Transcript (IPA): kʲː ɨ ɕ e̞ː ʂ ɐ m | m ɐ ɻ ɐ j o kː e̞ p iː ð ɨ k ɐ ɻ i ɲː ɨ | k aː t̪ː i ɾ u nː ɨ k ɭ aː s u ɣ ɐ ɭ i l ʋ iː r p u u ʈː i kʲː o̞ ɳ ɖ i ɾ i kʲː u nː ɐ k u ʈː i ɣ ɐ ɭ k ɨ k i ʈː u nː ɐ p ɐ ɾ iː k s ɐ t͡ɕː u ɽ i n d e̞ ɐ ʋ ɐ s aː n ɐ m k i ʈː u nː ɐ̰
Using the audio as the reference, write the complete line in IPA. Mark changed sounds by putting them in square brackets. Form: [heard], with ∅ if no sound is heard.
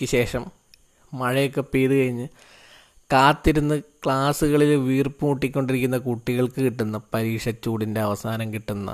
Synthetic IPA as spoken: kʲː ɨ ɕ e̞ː ʂ ɐ m | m ɐ ɻ ɐ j o kː e̞ p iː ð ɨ k ɐ ɻ i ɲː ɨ | k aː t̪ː i ɾ u nː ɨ k ɭ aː s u ɣ ɐ ɭ i l ʋ iː r p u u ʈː i kʲː o̞ ɳ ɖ i ɾ i kʲː u nː ɐ k u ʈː i ɣ ɐ ɭ k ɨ k i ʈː u nː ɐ p ɐ ɾ iː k [ʂ] ɐ t͡ɕː [uː] ɽ i n d e̞ ɐ ʋ ɐ s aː n ɐ m k i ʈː u nː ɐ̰